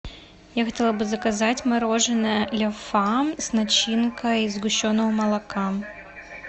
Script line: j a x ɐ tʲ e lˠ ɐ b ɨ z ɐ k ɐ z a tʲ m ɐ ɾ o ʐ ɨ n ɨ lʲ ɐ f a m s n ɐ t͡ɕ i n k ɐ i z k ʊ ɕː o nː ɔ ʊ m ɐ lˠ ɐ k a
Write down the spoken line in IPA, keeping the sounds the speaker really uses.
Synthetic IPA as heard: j a x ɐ tʲ e lˠ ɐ b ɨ z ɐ k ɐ z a tʲ m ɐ ɾ o ʐ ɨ n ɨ lʲ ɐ f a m s n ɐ t͡ɕ i n k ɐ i z ɡ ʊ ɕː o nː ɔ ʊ m ɐ lˠ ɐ k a